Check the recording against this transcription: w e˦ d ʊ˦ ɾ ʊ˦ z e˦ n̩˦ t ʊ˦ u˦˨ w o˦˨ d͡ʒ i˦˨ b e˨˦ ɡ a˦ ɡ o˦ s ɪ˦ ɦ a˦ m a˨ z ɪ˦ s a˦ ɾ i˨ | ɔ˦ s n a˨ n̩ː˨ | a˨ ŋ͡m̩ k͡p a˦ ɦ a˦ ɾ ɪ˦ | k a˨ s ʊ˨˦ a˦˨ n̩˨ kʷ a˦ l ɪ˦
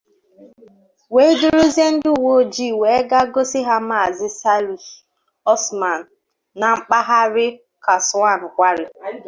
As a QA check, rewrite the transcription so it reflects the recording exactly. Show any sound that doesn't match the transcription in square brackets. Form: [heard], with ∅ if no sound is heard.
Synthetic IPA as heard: w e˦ d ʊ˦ ɾ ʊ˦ z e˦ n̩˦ [d] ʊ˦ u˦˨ w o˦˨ d͡ʒ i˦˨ [w] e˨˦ ɡ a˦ ɡ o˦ s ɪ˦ ɦ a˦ m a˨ z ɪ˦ s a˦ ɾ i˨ | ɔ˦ s [m] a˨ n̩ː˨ | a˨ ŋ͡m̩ k͡p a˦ ɦ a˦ ɾ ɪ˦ | k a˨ s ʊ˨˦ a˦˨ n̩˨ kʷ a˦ [ɾ] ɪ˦